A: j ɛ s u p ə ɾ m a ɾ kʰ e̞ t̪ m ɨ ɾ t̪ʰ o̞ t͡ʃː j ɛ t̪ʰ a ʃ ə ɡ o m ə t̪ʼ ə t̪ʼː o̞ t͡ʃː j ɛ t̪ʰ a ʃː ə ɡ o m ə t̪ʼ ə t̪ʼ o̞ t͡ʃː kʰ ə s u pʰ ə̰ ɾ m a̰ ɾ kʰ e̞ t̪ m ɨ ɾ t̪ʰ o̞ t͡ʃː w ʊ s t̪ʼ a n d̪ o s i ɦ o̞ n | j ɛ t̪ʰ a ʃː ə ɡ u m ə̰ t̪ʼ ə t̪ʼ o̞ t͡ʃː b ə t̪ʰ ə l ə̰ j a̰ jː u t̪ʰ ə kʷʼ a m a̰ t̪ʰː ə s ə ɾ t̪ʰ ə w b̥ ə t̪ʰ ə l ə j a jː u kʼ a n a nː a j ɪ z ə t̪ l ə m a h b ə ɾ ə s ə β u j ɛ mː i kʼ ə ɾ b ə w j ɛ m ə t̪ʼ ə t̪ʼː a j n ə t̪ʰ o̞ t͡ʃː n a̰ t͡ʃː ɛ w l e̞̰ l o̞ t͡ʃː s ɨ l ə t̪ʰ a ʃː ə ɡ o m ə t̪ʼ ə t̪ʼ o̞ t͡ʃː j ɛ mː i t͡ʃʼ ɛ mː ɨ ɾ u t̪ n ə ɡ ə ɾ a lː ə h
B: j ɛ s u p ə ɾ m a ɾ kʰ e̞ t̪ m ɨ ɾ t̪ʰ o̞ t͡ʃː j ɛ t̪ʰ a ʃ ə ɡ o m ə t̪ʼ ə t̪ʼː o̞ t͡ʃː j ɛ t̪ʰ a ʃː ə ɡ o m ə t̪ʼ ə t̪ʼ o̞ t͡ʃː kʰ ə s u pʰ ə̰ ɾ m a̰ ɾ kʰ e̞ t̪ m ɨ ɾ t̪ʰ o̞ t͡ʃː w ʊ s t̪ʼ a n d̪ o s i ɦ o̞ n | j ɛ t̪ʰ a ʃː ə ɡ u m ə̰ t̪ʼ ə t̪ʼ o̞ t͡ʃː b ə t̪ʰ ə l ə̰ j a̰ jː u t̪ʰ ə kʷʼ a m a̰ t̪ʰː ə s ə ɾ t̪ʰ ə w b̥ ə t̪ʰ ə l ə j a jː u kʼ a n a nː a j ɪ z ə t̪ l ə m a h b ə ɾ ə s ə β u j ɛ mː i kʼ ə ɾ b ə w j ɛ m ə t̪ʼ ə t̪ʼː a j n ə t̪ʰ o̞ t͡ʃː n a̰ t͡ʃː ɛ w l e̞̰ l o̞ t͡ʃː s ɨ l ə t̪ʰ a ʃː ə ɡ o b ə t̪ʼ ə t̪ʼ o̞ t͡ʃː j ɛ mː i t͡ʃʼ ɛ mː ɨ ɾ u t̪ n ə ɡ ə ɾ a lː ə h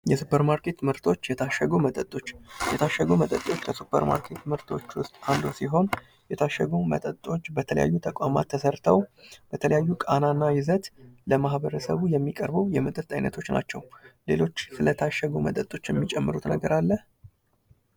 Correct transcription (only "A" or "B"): A